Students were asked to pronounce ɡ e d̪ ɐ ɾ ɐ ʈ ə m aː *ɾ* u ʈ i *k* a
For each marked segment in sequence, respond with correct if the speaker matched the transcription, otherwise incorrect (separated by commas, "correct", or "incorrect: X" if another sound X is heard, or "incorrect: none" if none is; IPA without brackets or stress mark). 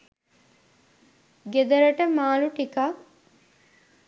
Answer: incorrect: l, correct